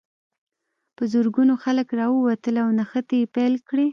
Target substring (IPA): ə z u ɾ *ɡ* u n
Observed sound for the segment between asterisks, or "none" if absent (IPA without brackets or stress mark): ɡ